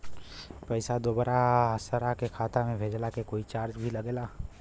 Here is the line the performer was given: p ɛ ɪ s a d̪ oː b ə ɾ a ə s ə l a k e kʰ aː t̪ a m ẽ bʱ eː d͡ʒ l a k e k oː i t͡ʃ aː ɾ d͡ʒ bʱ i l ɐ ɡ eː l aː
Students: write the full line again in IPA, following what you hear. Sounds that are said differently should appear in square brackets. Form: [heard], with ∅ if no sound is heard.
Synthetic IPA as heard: p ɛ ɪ s a d̪ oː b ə ɾ a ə s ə [ɾ] a k e kʰ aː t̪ a m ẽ bʱ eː d͡ʒ l a k e k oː i t͡ʃ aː ɾ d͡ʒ bʱ i l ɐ ɡ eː l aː